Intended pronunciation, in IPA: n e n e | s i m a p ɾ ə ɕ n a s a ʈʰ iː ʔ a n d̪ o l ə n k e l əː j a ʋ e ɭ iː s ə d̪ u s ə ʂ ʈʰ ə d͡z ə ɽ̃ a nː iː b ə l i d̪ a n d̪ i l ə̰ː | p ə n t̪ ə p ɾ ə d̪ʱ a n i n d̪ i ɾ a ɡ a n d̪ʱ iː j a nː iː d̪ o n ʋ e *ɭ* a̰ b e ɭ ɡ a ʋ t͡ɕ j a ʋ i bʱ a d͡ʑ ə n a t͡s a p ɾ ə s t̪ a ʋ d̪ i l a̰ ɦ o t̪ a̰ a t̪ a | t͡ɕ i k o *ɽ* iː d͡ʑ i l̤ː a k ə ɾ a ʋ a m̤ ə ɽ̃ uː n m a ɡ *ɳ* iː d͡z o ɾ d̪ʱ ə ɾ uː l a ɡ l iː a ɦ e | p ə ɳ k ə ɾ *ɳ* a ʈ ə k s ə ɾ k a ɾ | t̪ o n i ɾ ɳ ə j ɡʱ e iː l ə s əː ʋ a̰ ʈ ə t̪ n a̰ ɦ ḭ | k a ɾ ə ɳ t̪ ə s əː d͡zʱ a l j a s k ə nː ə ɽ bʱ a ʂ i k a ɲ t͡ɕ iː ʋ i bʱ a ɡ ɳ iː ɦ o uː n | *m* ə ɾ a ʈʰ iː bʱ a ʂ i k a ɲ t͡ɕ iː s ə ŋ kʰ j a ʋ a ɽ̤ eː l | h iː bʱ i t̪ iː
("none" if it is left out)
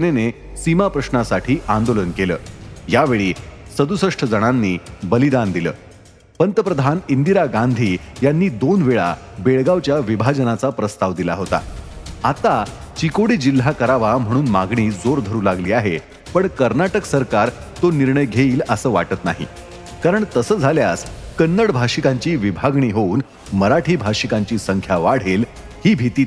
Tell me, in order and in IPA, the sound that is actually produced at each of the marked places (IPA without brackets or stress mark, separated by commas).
ɭ, ɽ, ɳ, n, m